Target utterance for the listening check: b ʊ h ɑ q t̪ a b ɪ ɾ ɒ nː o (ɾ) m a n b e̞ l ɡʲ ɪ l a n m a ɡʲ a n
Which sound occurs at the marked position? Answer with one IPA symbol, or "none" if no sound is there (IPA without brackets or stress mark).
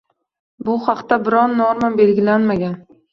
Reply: ɾ